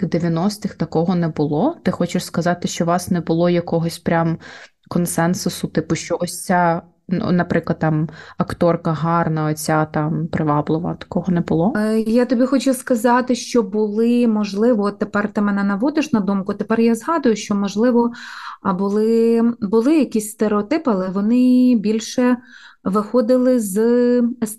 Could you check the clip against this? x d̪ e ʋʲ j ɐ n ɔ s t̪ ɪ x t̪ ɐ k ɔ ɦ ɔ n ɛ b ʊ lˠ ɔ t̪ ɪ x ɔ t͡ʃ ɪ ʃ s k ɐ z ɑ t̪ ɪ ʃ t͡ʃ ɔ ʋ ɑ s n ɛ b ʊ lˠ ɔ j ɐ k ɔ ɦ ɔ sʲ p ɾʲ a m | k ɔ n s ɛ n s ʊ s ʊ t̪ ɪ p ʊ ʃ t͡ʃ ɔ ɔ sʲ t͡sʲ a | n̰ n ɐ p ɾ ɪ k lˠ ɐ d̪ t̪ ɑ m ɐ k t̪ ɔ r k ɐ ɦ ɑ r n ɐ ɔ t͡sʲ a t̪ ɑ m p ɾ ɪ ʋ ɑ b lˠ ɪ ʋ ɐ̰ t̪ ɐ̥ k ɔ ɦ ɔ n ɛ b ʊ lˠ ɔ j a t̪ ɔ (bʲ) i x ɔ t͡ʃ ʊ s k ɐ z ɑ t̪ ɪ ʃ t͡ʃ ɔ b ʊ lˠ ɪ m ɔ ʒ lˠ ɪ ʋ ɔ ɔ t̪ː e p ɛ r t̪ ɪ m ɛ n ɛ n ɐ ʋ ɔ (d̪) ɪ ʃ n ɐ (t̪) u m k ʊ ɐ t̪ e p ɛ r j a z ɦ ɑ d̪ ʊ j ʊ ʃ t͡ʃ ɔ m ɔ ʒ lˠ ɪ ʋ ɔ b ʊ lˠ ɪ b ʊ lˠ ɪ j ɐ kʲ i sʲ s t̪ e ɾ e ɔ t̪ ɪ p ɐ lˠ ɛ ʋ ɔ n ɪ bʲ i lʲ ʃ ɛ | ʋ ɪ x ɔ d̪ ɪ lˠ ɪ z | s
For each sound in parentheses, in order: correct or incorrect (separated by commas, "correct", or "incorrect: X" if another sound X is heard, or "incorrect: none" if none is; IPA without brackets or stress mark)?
correct, correct, incorrect: d̪